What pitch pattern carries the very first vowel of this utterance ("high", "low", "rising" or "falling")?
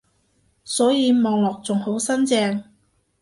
rising